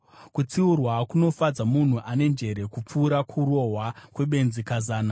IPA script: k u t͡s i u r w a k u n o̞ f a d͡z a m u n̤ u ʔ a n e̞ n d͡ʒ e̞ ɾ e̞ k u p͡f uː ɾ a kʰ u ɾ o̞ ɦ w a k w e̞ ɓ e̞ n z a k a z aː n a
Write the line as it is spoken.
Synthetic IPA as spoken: k u t͡s i u r w a k u n o̞ f a d͡z a m u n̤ u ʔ a n e̞ n d͡ʒ e̞ ɾ e̞ k u p͡f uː ɾ a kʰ u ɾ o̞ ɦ w a k w e̞ ɓ e̞ n z i k a z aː n a